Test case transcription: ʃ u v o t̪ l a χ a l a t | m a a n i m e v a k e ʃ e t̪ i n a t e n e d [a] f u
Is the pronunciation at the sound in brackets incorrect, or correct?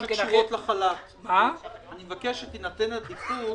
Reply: incorrect